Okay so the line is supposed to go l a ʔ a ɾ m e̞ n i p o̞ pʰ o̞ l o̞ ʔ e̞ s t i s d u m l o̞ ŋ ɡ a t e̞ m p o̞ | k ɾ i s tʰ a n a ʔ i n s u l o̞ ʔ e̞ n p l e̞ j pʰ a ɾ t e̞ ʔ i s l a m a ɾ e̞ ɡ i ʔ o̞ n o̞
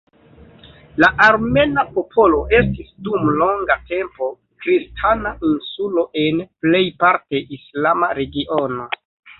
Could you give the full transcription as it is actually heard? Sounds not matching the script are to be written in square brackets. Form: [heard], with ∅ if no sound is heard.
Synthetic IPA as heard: l a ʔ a ɾ m e̞ n [a] p o̞ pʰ o̞ l o̞ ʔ e̞ s t i s d u m l o̞ ŋ ɡ a t e̞ m p o̞ | k ɾ i s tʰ a n a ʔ i n s u l o̞ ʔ e̞ n p l e̞ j [p] a ɾ t e̞ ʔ i s l a m a ɾ e̞ ɡ i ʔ o̞ n o̞